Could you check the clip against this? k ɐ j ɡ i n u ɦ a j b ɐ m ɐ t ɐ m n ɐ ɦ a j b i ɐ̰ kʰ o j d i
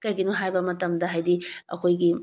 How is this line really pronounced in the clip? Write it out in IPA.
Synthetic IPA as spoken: k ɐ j ɡ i n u ɦ a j b ɐ m ɐ t ɐ m d ɐ ɦ a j d i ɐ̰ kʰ o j ɡ i

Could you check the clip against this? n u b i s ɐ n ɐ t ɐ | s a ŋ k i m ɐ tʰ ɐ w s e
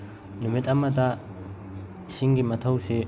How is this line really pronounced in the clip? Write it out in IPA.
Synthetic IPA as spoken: n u m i t ɐ m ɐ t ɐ | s i ŋ ɡ i m ɐ tʰ ɐ w s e

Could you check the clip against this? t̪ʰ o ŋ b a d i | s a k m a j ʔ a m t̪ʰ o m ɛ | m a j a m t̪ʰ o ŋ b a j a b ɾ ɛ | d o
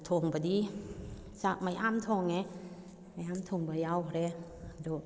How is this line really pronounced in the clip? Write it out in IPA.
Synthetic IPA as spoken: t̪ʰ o ŋ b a d i | s a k m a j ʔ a m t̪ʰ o ŋ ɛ | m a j a m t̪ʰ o ŋ b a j a w ɾ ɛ | d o

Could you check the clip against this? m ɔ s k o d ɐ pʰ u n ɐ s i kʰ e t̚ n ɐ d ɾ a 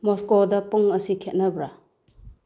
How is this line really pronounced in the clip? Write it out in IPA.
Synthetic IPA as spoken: m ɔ s k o d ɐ p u ŋ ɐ s i kʰ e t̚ n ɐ b ɾ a

